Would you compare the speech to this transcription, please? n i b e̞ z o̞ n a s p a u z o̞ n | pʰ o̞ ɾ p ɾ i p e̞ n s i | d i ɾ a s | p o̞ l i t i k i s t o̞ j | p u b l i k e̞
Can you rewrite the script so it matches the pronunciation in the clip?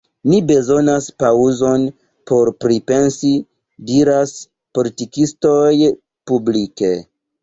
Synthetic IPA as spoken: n i b e̞ z o̞ n a s p a u z o̞ n | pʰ o̞ ɾ p ɾ i p e̞ n s i | d i ɾ a s | p o̞ l i t i k i s t o̞ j | p u b l i k e̞